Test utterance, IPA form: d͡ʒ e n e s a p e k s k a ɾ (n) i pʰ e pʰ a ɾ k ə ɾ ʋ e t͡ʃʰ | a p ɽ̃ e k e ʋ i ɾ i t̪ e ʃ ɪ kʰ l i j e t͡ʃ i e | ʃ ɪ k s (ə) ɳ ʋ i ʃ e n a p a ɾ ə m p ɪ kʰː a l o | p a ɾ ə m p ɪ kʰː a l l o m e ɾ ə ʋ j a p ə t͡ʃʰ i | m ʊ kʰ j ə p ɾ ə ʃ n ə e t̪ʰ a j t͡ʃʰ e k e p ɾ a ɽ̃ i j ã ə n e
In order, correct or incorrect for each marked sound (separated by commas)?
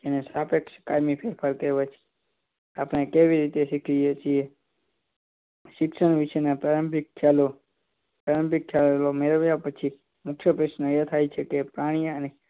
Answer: incorrect, correct